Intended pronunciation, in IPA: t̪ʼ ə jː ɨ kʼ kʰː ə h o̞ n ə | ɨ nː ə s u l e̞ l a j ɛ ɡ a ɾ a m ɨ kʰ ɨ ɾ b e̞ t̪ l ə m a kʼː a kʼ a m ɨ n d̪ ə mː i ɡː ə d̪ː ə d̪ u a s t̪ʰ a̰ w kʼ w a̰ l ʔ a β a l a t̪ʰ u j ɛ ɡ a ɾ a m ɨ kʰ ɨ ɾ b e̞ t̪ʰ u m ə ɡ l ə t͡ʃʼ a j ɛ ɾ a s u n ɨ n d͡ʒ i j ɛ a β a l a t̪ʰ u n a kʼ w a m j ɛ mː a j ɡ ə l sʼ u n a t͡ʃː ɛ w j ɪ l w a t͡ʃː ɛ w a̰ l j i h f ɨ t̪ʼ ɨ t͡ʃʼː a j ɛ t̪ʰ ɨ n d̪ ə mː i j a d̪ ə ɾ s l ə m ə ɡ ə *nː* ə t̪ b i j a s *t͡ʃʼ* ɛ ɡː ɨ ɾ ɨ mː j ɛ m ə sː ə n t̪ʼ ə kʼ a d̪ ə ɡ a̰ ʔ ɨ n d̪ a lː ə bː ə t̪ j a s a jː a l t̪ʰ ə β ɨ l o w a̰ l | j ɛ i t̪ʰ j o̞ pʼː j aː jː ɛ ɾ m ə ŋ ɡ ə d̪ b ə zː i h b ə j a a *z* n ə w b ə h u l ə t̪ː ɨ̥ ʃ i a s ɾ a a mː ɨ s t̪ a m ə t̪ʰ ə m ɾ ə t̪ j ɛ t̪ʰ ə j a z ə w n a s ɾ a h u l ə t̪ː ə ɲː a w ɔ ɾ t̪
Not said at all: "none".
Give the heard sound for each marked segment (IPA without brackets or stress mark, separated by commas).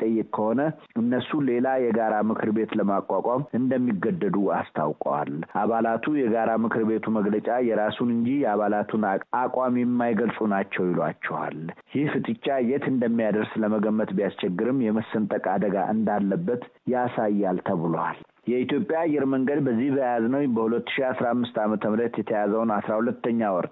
mː, t͡ʃ, z